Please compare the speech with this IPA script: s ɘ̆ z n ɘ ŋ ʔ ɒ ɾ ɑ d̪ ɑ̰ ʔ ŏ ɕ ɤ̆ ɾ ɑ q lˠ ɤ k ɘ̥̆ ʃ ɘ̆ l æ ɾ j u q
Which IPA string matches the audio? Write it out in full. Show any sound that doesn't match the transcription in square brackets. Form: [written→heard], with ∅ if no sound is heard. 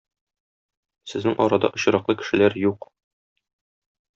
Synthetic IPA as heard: s ɘ̆ z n ɘ ŋ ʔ ɒ ɾ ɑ d̪ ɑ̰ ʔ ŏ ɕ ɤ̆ ɾ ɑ q lˠ ɤ k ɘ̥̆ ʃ ɘ̆ l æ ɾ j u q